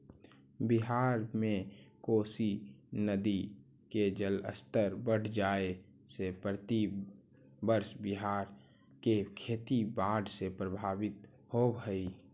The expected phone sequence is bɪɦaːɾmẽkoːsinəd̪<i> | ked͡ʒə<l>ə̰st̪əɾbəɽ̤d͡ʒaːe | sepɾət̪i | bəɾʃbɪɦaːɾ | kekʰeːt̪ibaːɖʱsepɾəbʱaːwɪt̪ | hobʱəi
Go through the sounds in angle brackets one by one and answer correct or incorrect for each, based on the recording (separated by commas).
correct, correct